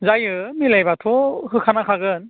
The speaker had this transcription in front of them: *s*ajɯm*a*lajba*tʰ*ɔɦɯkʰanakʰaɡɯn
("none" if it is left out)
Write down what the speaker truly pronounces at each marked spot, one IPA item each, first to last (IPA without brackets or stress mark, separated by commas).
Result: z, i, tʰ